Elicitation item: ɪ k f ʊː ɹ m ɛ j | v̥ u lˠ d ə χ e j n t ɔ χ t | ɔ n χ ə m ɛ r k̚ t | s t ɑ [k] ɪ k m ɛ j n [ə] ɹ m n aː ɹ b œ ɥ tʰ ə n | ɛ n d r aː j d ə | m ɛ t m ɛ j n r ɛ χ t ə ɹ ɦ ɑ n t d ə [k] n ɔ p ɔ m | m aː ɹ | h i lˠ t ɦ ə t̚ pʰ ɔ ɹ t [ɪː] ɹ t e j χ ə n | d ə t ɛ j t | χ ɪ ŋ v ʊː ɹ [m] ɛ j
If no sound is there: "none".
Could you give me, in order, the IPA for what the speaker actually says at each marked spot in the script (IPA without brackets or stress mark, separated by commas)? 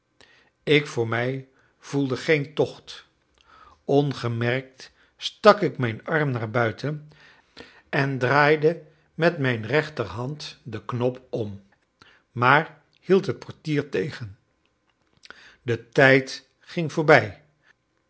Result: k, ɑ, k, iː, b